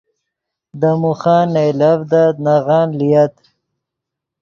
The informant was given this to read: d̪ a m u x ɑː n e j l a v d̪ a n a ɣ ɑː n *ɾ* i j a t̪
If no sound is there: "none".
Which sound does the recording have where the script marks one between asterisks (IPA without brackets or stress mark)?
l